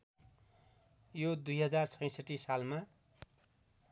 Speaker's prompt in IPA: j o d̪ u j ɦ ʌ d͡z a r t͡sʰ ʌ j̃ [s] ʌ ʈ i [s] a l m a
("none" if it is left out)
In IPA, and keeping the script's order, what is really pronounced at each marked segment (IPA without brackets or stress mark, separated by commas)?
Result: s, s